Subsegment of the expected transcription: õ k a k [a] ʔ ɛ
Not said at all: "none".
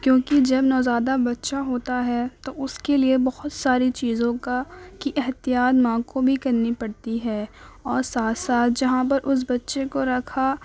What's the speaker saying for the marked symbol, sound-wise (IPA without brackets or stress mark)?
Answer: i